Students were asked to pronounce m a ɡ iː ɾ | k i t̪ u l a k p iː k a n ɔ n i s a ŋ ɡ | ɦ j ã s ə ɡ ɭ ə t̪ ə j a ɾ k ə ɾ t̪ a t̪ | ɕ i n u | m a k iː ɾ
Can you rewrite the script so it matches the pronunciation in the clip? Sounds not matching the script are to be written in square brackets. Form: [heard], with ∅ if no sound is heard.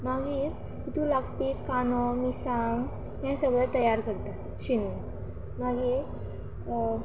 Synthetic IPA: m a ɡ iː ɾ | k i t̪ u l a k p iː k a n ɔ [m] i s a ŋ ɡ | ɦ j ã s ə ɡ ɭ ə t̪ ə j a ɾ k ə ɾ t̪ a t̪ | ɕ i n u | m a [ɡ] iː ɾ